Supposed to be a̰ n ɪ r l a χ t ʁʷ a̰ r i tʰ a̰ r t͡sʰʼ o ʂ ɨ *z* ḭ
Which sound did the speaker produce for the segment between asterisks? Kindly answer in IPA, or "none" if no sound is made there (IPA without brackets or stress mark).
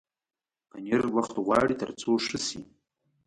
s